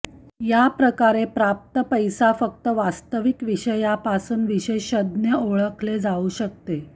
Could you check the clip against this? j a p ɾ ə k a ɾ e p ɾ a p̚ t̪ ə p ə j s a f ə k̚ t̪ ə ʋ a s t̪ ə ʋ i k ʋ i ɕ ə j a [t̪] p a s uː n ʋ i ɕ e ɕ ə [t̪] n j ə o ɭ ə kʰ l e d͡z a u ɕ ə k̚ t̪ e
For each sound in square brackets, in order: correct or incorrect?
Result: incorrect, incorrect

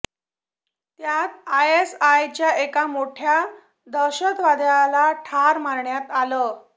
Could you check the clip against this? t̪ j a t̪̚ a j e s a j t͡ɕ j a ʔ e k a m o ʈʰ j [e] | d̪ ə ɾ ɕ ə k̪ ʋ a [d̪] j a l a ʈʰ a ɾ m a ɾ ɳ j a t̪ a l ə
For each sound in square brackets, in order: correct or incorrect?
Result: incorrect, correct

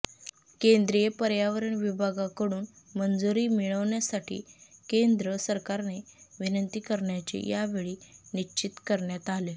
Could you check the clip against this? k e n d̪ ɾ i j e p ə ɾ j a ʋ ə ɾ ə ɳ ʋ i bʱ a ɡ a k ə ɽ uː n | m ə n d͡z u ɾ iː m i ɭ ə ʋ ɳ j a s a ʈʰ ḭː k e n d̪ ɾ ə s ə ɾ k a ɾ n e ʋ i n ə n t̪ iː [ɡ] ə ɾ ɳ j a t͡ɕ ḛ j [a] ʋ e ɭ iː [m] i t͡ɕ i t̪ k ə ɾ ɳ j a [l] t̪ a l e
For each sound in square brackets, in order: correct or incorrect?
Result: incorrect, correct, incorrect, incorrect

